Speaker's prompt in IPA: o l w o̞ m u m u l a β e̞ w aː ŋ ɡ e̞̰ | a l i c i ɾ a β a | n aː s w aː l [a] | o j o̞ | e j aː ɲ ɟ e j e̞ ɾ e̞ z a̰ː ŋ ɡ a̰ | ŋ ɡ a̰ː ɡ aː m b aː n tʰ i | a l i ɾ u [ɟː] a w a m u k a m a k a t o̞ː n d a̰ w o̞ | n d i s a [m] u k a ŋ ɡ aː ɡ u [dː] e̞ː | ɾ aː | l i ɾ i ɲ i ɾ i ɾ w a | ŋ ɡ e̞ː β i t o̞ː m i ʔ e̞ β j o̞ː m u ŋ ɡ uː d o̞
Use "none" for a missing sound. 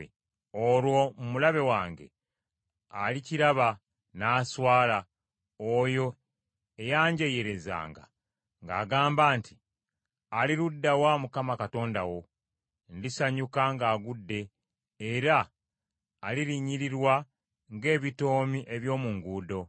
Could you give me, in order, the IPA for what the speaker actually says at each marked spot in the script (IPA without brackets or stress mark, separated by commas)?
a, dː, ɲ, dː